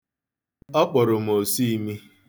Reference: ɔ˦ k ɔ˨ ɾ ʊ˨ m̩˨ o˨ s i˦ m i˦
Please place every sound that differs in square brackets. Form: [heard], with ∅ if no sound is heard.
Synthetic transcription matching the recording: ɔ˦ [k͡p] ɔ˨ ɾ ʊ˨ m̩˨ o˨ s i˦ m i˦